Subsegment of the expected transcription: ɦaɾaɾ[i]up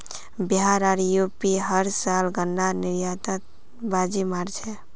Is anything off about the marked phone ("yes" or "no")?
yes